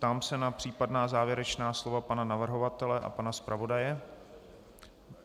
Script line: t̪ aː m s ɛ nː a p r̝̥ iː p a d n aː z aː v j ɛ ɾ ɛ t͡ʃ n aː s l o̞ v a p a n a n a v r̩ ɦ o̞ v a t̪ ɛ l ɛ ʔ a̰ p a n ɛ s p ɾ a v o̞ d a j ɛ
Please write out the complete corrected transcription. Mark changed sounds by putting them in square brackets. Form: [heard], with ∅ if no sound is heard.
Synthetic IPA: t̪ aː m s ɛ [n] a p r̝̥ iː p a d n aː z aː v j ɛ ɾ ɛ t͡ʃ n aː s l o̞ v a p a n a n a v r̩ ɦ o̞ v a t̪ ɛ l ɛ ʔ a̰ p a n [a] s p ɾ a v o̞ d a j ɛ

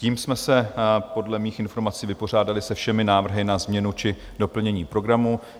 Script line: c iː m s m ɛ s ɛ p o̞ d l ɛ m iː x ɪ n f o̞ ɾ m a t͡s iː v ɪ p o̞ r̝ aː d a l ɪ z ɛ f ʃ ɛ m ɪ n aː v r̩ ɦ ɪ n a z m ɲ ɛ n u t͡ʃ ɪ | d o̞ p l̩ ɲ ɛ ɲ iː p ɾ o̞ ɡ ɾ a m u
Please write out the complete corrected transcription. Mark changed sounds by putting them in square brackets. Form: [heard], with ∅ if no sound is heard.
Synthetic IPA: c iː m s m ɛ s ɛ p o̞ d l ɛ m iː x ɪ n f o̞ ɾ m a t͡s iː v ɪ p o̞ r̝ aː d a l ɪ [s] ɛ f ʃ ɛ m ɪ n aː v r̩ ɦ ɪ n a z m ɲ ɛ n u t͡ʃ ɪ | d o̞ p l̩ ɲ ɛ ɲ iː p ɾ o̞ ɡ ɾ a m u

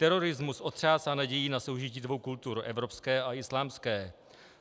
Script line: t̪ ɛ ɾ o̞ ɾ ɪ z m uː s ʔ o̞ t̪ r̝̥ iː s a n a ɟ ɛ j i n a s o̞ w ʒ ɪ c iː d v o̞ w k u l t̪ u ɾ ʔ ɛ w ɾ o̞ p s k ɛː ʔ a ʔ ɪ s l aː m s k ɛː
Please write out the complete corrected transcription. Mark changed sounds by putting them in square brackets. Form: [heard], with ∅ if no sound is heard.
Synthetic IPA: t̪ ɛ ɾ o̞ ɾ ɪ z m [u] s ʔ o̞ t̪ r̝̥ [aː] s a n a ɟ ɛ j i n a s o̞ w ʒ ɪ c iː d v o̞ w k u l t̪ u ɾ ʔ ɛ [v] ɾ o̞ p s k ɛː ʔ a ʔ ɪ s l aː m s k ɛː

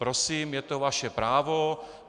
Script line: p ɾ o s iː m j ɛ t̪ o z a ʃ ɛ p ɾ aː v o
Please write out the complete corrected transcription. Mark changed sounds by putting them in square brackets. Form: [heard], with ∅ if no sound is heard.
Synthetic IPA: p ɾ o s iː m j ɛ t̪ o [v] a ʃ ɛ p ɾ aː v o

